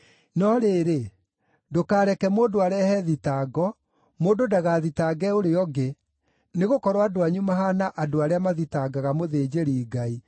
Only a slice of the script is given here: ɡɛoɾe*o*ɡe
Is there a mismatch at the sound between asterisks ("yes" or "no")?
yes